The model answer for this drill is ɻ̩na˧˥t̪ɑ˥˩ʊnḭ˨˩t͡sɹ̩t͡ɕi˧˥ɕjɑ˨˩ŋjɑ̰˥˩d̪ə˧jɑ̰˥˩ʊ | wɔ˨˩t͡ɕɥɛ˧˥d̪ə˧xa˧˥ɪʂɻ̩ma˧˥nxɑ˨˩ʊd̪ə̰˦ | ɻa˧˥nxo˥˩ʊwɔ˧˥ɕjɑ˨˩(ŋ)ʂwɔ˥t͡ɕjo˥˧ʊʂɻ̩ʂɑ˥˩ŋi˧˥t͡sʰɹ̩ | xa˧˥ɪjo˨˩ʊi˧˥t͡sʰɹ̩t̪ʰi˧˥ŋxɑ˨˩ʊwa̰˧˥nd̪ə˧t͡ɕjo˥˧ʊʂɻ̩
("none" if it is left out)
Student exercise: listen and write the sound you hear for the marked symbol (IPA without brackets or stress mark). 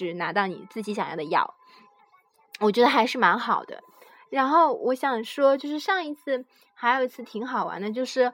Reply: ŋ